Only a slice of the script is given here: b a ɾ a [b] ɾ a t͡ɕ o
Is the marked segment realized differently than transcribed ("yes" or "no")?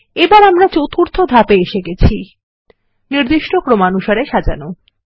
yes